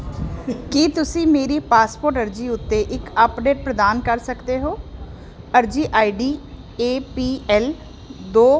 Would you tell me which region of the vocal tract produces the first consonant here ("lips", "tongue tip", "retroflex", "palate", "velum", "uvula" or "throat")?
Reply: velum